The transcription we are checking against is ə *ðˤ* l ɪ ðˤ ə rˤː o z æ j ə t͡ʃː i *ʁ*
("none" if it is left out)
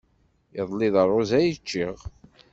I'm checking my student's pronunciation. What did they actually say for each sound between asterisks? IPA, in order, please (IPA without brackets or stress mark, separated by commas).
ðˤ, ʁ